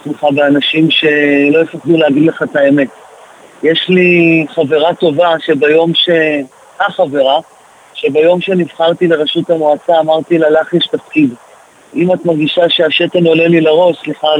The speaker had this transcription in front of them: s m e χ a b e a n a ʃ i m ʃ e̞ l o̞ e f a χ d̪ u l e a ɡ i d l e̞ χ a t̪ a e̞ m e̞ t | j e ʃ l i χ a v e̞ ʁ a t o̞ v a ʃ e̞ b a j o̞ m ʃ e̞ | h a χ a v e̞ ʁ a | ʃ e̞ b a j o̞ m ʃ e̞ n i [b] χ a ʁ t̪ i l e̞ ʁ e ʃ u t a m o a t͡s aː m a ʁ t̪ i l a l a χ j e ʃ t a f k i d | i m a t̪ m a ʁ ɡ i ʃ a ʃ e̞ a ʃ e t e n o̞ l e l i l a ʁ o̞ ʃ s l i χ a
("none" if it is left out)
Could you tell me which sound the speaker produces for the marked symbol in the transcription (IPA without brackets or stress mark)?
v